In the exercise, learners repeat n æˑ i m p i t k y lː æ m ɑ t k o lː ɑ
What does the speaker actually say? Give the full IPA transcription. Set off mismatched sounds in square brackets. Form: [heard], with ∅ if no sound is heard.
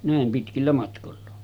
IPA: n æˑ [e] m p i t k [i] lː æ m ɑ t k o lː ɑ